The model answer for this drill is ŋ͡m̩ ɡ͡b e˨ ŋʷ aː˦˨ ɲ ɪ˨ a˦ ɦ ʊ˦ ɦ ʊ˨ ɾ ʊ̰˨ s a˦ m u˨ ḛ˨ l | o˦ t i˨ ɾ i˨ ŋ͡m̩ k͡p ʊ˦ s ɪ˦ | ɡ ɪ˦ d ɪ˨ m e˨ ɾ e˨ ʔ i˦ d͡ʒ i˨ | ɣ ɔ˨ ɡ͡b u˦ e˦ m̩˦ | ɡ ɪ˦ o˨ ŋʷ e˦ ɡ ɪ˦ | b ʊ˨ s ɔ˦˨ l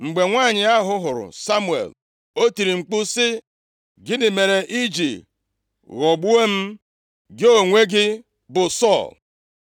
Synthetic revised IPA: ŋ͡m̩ ɡ͡b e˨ ŋʷ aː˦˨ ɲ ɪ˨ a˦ ɦ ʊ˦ ɦ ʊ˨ ɾ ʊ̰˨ s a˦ m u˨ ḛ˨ l | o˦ t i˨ ɾ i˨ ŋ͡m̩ k͡p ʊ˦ s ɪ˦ | ɡ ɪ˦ d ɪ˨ m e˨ ɾ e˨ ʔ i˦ d͡ʒ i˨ | ɣ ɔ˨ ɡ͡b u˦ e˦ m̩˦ | ɡ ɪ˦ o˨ ŋʷ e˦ ɡ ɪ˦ | b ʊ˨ s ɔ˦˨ l

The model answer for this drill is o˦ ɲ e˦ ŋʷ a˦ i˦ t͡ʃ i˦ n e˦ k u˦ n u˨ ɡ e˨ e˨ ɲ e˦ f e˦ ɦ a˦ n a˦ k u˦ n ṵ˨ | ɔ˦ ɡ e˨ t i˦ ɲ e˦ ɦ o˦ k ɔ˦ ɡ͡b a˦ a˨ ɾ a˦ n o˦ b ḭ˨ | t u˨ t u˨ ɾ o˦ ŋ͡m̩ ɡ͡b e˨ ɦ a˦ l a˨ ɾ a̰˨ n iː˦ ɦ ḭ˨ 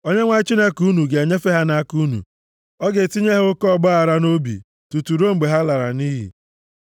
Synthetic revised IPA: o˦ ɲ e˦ ŋʷ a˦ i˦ t͡ʃ i˦ n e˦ k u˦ n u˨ ɡ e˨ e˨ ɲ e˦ f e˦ ɦ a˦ n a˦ k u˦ n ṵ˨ | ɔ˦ ɡ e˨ t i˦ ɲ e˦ ɦ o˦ k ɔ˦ ɡ͡b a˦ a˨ ɾ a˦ n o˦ b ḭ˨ | t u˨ t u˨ ɾ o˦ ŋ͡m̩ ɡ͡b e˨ ɦ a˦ l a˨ ɾ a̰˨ n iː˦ ɦ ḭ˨

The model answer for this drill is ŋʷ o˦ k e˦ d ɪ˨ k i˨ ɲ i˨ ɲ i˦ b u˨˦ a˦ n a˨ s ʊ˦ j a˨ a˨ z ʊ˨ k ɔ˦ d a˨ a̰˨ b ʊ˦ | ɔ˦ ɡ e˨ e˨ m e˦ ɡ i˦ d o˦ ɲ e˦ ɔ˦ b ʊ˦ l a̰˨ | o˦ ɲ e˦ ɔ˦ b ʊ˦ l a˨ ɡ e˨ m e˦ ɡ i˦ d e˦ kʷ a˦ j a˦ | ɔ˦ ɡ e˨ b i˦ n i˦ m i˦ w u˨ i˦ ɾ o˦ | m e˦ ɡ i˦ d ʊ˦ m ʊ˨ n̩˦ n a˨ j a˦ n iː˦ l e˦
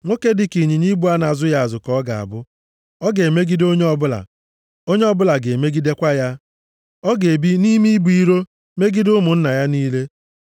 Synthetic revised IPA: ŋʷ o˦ k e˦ d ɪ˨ k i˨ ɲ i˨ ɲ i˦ b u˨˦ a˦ n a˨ z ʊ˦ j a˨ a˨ z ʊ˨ k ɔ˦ ɡ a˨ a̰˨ b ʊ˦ | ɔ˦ ɡ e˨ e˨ m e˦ ɡ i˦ d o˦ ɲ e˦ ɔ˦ b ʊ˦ l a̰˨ | o˦ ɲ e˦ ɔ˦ b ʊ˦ l a˨ ɡ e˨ m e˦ ɡ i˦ d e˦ kʷ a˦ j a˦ | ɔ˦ ɡ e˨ b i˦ n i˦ m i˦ b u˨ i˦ ɾ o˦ | m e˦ ɡ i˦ d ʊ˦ m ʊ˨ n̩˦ n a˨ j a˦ n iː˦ l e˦

